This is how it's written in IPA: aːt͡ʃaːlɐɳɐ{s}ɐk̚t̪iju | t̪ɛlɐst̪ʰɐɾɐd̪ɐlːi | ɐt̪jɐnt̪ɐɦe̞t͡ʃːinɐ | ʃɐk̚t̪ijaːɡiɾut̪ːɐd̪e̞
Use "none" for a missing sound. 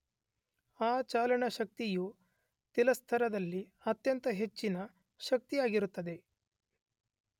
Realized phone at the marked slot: ʃ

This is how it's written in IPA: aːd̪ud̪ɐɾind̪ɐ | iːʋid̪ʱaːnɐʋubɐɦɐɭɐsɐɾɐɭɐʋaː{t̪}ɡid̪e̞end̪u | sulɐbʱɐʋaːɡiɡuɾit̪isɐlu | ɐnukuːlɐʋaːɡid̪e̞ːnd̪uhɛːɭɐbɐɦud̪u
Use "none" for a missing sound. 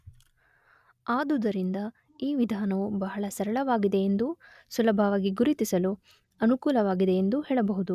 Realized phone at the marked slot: none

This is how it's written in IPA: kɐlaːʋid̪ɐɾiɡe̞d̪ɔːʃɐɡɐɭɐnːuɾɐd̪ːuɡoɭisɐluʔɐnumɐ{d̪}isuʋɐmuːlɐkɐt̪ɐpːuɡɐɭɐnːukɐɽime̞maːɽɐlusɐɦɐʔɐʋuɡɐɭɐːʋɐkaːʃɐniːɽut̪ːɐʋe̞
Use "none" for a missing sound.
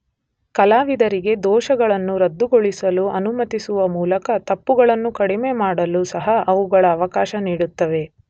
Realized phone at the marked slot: t̪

